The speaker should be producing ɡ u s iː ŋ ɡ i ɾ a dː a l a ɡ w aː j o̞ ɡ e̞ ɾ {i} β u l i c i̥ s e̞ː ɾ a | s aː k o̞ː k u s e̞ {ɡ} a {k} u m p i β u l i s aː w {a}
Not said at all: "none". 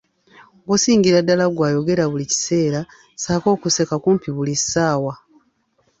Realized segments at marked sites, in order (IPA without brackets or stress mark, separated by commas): a, k, k, a